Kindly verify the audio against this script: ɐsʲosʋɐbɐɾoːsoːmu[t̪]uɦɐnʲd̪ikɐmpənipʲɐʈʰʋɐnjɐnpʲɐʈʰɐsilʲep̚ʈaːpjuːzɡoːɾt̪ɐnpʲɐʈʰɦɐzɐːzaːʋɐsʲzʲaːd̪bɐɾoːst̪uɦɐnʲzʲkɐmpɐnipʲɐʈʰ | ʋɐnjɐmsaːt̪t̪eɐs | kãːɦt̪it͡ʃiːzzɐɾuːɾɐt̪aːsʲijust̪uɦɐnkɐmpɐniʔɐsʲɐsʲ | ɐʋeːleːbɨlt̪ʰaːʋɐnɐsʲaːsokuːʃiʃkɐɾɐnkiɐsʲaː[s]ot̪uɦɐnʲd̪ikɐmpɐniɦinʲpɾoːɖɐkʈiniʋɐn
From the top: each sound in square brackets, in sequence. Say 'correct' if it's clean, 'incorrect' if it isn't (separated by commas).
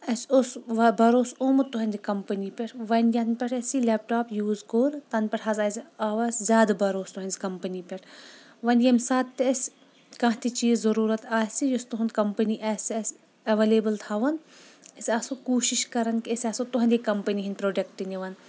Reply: correct, correct